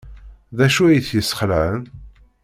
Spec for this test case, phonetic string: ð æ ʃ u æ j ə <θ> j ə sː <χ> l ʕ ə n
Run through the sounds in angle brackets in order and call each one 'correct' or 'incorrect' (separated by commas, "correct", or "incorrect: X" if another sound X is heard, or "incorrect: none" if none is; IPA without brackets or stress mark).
correct, correct